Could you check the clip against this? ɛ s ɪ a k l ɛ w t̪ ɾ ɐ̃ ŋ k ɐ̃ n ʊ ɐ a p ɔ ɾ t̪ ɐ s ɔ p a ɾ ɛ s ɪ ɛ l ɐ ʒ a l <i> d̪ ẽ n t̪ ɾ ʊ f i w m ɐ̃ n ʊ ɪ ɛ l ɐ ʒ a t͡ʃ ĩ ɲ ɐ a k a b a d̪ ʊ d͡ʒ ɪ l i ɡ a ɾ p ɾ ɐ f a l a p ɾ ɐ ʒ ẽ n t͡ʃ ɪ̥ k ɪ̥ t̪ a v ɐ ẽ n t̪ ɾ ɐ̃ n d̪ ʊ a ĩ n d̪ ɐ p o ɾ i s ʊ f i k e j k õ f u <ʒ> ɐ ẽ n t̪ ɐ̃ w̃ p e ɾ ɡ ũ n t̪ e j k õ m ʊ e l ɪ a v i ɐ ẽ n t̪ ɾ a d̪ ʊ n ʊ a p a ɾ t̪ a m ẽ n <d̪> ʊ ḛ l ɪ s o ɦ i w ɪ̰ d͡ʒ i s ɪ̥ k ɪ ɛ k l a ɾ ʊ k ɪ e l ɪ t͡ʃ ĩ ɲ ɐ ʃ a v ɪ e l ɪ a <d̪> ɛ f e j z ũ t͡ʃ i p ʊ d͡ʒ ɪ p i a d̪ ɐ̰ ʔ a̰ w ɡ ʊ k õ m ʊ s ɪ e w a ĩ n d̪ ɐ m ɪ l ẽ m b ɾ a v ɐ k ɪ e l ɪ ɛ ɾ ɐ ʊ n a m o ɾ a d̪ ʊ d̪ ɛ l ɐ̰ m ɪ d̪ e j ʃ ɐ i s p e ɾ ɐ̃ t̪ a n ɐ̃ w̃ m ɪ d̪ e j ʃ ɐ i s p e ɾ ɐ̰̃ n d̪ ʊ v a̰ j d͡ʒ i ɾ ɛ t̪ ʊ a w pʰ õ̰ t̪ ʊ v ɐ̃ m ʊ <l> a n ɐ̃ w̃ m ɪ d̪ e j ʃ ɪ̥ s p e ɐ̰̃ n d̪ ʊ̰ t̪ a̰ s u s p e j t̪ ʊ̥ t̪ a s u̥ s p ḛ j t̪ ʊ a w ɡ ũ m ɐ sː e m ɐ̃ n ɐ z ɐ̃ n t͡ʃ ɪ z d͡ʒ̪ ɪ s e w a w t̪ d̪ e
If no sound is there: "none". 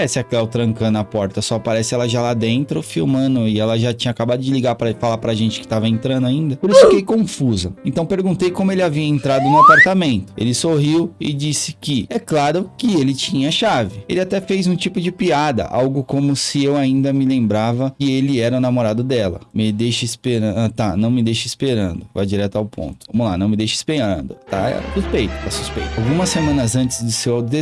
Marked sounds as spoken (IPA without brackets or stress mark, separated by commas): a, z, t̪, t̪, l